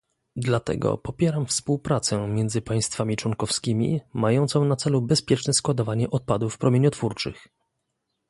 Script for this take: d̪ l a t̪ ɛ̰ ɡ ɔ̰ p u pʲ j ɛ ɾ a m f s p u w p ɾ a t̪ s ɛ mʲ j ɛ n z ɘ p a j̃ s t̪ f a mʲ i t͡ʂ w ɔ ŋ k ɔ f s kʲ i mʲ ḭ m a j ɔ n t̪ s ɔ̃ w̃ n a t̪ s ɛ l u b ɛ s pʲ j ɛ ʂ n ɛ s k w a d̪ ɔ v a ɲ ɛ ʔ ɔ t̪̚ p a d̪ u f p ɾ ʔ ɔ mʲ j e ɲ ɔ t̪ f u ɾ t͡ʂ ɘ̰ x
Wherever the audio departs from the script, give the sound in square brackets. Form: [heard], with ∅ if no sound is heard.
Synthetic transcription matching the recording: d̪ l a t̪ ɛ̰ ɡ ɔ̰ p [ɔ] pʲ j ɛ ɾ a m f s p u w p ɾ a t̪ s ɛ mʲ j ɛ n z ɘ p a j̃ s t̪ f a mʲ i t͡ʂ w ɔ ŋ k ɔ f s kʲ i mʲ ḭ m a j ɔ n t̪ s ɔ̃ w̃ n a t̪ s ɛ l u b ɛ s pʲ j ɛ [t͡ʂ] n ɛ s k w a d̪ ɔ v a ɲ ɛ ʔ ɔ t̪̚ p a d̪ u f p ɾ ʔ ɔ mʲ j e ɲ ɔ t̪ f u ɾ t͡ʂ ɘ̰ x